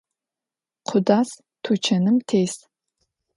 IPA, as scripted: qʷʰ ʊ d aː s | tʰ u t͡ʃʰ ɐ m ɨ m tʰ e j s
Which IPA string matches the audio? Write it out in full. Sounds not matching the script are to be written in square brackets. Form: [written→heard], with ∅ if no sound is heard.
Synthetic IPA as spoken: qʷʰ ʊ d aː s | tʰ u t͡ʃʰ ɐ [m→n] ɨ m tʰ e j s